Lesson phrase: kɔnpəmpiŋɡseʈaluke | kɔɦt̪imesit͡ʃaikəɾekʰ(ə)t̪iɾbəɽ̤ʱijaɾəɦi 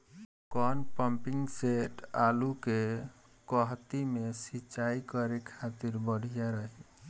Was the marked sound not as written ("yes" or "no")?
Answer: yes